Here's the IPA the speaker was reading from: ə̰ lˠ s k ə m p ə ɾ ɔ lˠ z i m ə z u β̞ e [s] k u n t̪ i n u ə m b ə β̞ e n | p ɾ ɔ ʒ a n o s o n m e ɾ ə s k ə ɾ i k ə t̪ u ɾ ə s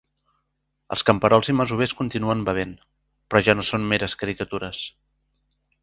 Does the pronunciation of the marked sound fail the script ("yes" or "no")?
no